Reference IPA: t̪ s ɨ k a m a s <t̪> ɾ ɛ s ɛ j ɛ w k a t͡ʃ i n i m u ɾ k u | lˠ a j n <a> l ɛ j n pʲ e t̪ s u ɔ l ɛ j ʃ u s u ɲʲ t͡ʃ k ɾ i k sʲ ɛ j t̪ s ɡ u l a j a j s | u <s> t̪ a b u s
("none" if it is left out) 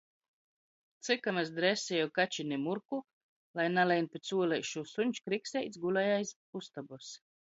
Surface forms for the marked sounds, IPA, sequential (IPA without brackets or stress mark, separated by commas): d̪, a, s